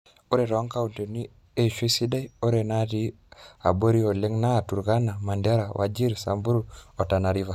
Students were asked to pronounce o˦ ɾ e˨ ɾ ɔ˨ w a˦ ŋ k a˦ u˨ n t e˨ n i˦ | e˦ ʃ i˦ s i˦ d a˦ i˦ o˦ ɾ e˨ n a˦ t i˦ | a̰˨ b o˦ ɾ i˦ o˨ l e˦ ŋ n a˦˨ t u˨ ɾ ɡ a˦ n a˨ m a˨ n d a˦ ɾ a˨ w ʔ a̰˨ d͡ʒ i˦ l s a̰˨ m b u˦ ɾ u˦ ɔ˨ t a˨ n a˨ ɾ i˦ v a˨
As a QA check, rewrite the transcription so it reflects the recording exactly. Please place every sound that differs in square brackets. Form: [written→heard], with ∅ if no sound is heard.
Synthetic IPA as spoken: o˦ ɾ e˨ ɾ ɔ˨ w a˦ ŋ k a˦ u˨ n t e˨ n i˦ | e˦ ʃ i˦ s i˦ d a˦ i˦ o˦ ɾ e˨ n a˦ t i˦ | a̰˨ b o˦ ɾ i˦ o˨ l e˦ ŋ n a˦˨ t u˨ ɾ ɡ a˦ n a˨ m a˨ n d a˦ ɾ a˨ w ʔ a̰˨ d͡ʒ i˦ [l→ɾ] s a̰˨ m b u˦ ɾ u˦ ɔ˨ t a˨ n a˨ ɾ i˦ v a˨